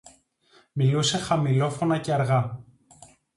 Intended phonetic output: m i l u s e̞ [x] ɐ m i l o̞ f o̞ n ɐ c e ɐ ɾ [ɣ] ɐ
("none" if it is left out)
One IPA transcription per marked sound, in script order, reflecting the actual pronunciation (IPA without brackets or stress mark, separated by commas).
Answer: x, ɣ